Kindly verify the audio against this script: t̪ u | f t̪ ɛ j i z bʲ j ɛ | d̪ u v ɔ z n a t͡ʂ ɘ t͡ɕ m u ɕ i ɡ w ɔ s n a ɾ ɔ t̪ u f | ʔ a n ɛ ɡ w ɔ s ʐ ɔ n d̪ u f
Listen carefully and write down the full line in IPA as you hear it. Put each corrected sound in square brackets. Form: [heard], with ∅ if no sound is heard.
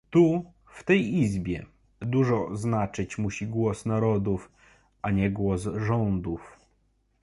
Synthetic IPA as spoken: t̪ u | f t̪ ɛ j i z bʲ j ɛ | d̪ u [ʐ] ɔ z n a t͡ʂ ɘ t͡ɕ m u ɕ i ɡ w ɔ s n a ɾ ɔ [d̪] u f | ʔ a [ɲ] ɛ ɡ w ɔ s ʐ ɔ n d̪ u f